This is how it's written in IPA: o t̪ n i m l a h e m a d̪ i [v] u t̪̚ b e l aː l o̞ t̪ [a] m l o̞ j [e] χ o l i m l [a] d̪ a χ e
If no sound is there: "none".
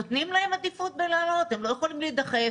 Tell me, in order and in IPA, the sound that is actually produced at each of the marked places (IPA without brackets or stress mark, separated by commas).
f, e, e, i